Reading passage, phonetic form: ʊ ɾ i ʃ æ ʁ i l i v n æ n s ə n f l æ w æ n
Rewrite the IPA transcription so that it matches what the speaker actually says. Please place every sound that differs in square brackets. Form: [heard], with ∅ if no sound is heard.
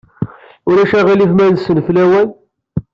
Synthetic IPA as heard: ʊ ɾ [æ] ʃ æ ʁ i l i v [m] æ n s ə n f l æ w æ n